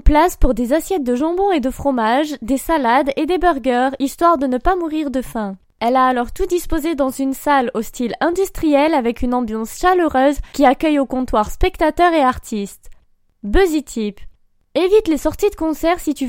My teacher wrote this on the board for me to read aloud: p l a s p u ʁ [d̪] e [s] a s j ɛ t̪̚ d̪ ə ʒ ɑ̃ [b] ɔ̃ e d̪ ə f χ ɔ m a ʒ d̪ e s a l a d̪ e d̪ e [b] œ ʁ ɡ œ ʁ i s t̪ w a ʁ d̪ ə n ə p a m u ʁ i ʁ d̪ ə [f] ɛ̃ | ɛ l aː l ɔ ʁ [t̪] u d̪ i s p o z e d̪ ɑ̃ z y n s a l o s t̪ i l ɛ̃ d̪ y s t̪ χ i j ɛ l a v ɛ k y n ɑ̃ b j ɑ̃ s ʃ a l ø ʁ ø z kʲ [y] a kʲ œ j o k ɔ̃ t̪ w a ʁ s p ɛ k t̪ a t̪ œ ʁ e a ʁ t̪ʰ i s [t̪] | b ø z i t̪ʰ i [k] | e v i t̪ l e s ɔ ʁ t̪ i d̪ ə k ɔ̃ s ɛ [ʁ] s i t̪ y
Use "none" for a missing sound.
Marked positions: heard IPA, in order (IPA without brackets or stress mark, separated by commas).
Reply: d̪, z, b, b, f, t̪, i, t̪, p, ʁ